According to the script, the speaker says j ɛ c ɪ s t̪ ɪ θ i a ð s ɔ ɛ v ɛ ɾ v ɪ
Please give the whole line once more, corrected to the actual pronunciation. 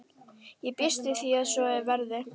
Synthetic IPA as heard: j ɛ p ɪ s t̪ ɪ θ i a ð s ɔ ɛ v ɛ ɾ ð ɪ